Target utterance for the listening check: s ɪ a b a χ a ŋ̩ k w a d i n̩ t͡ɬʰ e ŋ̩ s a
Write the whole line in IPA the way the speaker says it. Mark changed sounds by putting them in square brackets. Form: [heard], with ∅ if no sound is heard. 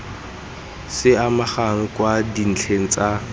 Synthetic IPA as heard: s ɪ a [m] a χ a ŋ̩ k w a d i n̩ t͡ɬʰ e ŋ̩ [t͡s] a